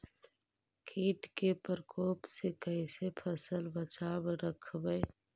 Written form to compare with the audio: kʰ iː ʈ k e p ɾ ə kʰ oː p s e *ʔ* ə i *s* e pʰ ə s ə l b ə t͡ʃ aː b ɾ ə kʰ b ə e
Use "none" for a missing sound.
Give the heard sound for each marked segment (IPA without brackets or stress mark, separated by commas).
k, s